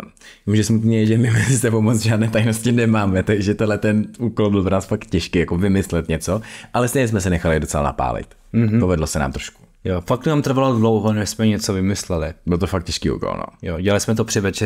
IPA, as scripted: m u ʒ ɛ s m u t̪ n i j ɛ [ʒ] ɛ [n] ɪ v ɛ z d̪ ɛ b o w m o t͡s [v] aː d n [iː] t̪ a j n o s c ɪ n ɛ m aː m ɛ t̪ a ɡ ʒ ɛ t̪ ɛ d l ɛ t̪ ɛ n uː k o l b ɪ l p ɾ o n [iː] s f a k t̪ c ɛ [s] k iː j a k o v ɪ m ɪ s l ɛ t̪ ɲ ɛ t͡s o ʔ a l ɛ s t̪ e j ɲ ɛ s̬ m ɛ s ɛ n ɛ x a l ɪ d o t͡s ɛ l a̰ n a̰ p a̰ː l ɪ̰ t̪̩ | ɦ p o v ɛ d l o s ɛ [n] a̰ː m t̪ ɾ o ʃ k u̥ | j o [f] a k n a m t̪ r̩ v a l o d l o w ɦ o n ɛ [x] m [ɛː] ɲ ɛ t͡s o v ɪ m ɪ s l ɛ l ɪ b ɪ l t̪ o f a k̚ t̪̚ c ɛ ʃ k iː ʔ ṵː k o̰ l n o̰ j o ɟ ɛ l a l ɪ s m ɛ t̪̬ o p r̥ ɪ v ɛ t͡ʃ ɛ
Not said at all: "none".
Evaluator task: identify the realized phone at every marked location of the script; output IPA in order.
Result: ʒ, m, ʒ, ɛː, aː, ʃ, n, f, s, ɛ

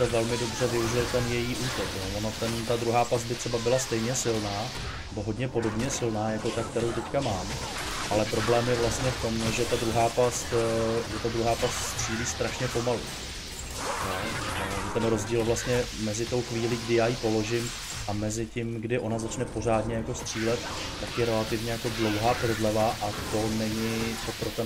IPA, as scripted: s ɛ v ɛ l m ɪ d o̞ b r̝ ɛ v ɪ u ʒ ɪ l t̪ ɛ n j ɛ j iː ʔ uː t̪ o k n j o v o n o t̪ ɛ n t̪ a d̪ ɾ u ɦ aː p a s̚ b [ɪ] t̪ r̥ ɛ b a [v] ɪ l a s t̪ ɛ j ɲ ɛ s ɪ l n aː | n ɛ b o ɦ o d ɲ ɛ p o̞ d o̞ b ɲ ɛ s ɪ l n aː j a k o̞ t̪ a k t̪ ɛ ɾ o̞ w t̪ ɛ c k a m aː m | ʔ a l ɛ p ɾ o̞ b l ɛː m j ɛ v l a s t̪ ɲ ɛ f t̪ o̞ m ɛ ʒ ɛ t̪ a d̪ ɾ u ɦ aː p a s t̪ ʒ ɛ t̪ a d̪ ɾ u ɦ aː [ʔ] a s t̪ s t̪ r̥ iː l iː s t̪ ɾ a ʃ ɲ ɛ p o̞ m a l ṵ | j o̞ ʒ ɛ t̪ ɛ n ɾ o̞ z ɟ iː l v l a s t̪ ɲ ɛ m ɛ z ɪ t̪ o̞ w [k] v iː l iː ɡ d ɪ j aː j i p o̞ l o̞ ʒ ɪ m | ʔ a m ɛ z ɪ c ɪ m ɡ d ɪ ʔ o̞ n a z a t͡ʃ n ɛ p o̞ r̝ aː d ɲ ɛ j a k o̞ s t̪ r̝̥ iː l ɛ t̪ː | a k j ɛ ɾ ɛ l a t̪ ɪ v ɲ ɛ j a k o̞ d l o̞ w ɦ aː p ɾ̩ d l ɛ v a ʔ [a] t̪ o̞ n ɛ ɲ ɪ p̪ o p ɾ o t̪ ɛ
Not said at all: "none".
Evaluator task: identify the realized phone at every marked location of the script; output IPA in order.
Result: ɪ, b, p, x, a

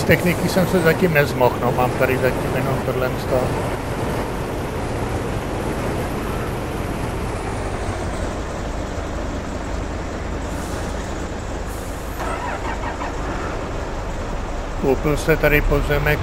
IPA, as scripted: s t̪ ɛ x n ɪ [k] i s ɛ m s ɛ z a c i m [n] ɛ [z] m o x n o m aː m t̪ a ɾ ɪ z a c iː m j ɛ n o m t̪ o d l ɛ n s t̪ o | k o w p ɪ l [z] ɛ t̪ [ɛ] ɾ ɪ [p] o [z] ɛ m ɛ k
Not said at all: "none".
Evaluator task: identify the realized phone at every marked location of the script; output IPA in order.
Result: k, n, z, s, a, p, z

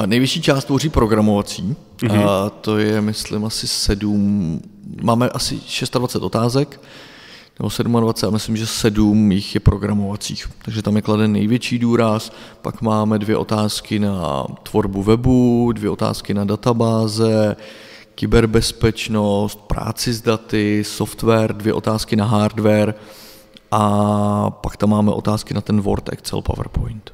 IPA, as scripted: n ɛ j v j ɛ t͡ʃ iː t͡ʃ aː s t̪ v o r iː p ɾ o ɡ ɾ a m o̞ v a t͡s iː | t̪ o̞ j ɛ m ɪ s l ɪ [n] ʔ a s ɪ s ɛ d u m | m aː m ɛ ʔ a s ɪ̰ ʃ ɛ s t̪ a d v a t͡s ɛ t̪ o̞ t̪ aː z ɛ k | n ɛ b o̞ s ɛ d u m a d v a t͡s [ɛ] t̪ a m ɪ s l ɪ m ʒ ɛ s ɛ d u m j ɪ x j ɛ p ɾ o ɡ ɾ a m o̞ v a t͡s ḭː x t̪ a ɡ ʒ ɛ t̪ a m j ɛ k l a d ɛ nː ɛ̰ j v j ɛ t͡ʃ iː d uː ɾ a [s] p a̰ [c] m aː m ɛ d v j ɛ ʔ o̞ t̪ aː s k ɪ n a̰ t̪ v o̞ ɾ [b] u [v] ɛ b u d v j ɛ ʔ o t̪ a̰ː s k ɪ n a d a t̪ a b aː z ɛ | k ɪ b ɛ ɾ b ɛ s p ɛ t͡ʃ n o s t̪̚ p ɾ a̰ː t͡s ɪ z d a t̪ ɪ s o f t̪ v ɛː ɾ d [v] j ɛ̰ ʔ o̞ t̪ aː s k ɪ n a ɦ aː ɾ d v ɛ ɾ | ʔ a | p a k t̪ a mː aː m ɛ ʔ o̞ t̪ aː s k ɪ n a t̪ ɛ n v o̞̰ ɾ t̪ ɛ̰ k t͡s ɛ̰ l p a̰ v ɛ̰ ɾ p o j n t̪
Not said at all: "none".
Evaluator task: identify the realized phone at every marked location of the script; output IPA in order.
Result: m, ɛ, s, k, b, v, v

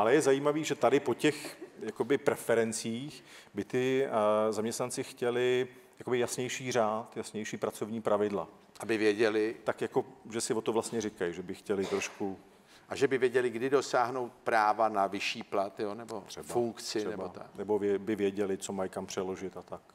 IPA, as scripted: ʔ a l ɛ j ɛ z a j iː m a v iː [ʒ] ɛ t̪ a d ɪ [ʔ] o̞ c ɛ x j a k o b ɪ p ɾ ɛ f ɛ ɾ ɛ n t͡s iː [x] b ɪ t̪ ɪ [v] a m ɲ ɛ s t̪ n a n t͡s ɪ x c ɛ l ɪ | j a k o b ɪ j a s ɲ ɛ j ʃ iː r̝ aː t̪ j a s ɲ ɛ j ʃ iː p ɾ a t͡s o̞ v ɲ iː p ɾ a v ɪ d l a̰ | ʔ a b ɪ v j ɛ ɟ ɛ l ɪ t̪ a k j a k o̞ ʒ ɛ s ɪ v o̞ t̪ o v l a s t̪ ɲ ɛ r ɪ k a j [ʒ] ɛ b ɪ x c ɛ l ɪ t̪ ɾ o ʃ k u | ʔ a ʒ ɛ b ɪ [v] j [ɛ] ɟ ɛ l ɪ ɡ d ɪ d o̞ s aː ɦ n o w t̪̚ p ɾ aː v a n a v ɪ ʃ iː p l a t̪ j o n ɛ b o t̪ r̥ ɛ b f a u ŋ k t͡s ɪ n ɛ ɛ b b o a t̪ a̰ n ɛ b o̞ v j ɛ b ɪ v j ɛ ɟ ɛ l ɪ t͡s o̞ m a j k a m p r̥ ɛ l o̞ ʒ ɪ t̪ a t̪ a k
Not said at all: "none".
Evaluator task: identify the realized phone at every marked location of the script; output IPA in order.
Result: ʒ, p, x, z, ʒ, v, ɛ

